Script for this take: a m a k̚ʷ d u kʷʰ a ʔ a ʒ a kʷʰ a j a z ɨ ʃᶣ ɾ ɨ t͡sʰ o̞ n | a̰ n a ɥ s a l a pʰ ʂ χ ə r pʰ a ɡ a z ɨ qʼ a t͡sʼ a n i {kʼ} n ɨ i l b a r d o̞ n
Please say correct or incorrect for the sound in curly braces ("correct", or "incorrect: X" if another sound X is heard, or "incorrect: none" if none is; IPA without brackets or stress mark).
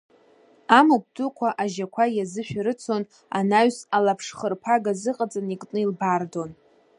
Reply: correct